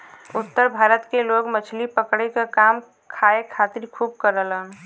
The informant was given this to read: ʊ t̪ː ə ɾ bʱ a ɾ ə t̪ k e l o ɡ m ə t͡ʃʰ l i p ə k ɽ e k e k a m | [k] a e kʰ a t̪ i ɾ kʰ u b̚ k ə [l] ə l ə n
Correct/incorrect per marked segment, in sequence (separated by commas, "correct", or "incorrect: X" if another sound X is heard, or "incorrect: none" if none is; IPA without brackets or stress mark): incorrect: kʰ, incorrect: ɾ